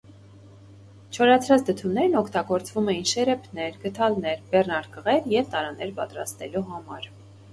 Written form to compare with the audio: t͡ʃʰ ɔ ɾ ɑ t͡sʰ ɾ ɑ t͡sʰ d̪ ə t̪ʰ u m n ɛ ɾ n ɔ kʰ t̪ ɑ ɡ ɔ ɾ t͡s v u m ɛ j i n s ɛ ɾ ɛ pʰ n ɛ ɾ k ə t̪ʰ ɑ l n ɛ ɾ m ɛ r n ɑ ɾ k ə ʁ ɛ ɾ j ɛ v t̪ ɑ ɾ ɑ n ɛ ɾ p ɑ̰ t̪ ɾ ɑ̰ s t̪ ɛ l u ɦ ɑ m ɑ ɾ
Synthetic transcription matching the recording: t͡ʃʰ ɔ ɾ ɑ t͡sʰ ɾ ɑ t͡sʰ d̪ ə t̪ʰ u m n ɛ ɾ n ɔ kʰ t̪ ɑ ɡ ɔ ɾ t͡s v u m ɛ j i n ʃ ɛ ɾ ɛ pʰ n ɛ ɾ ɡ ə t̪ʰ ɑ l n ɛ ɾ b ɛ r n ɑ ɾ k ə ʁ ɛ ɾ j ɛ v t̪ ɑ ɾ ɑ n ɛ ɾ p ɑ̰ t̪ ɾ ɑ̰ s t̪ ɛ l u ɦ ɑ m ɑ ɾ